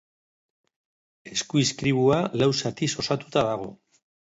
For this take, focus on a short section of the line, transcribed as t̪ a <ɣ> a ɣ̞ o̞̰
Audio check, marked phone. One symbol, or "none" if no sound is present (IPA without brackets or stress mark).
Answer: ð